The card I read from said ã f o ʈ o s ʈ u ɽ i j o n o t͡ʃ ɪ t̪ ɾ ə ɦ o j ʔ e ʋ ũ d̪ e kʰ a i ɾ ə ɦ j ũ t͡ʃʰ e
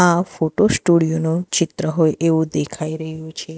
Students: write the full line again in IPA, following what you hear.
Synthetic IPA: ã f o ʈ o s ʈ u ɽ i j o n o t͡ʃ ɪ t̪ ɾ ə ɦ o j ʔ e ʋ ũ d̪ e kʰ a i ɾ ə ɦ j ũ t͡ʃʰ e

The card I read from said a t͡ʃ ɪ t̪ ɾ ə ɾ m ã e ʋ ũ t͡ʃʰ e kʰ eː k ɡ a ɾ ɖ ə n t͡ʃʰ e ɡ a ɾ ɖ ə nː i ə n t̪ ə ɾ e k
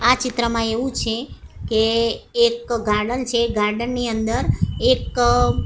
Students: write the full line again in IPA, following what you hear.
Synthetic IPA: a t͡ʃ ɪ t̪ ɾ ə m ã e ʋ ũ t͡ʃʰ e k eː k ɡ a ɾ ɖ ə n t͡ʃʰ e ɡ a ɾ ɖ ə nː i ə n d̪ ə ɾ e k

